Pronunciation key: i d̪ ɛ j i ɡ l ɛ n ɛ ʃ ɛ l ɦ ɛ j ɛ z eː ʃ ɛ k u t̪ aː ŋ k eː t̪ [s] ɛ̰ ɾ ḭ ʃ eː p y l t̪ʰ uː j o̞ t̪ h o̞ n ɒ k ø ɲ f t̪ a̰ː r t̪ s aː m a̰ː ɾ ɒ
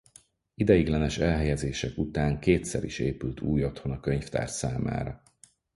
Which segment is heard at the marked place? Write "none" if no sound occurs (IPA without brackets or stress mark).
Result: s